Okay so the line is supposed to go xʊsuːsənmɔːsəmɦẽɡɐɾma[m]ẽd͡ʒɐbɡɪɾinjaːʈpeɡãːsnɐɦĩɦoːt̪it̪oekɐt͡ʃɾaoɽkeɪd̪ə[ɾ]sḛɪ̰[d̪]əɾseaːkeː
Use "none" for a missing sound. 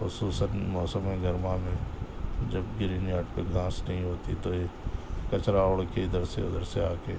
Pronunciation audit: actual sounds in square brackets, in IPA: m, ɾ, d̪

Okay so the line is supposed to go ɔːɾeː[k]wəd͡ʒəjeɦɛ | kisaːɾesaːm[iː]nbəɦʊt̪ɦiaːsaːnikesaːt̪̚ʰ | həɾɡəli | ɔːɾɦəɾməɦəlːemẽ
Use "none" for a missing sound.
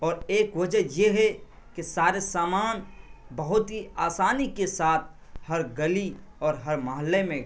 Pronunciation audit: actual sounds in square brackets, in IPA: k, aː

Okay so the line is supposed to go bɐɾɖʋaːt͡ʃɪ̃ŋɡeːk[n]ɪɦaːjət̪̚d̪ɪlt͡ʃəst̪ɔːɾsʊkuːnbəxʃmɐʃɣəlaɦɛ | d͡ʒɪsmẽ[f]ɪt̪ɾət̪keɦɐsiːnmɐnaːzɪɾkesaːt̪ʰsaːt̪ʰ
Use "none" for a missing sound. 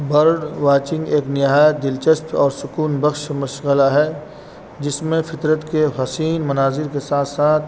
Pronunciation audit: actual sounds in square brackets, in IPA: n, f

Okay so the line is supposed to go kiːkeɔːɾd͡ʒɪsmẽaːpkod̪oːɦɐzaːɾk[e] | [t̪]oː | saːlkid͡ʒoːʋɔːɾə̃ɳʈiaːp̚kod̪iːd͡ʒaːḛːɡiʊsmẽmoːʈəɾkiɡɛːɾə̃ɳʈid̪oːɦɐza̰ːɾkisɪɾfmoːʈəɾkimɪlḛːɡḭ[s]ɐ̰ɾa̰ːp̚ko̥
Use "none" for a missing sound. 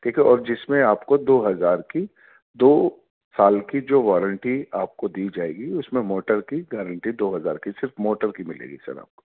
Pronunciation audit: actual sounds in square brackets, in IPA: i, d̪, s

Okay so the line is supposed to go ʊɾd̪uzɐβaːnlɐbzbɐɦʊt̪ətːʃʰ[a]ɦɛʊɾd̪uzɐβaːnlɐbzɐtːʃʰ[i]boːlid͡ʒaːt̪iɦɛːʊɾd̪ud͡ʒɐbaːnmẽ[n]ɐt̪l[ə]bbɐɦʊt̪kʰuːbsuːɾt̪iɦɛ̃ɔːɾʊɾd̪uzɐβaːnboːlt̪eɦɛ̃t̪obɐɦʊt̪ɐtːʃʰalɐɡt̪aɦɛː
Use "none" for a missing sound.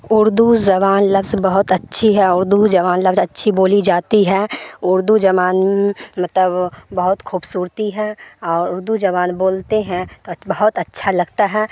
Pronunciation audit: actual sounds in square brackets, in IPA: i, i, m, ə

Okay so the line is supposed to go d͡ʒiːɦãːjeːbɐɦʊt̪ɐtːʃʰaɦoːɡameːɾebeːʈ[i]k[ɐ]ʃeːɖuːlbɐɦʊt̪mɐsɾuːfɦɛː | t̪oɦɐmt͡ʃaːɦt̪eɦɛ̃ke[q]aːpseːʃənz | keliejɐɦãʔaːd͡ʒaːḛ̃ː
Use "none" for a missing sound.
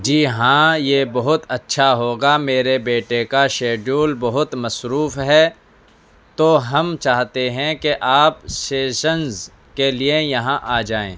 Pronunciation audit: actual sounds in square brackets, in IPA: e, a, ʔ

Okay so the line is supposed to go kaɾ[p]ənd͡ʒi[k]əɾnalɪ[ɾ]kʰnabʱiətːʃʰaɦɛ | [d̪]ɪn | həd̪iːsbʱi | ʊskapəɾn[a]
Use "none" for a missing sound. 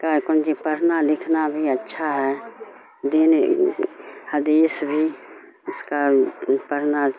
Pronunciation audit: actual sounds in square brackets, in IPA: k, p, none, d̪, a

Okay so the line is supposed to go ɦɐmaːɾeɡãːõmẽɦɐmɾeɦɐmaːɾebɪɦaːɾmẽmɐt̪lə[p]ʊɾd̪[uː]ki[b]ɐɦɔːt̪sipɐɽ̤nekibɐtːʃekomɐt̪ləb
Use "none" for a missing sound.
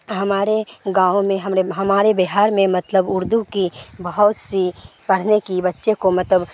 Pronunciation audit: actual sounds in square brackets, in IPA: b, u, b

